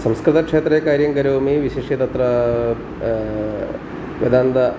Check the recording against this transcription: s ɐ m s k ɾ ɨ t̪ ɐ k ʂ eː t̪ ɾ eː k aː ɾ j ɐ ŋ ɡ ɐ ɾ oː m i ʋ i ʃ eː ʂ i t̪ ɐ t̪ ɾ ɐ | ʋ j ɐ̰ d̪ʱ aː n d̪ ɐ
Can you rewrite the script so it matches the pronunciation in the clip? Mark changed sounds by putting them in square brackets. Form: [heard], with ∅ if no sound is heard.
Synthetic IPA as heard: s ɐ m s k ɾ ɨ t̪ ɐ k ʂ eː t̪ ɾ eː k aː ɾ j ɐ ŋ ɡ ɐ ɾ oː m i ʋ i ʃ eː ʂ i t̪ ɐ t̪ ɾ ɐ | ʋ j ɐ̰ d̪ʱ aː n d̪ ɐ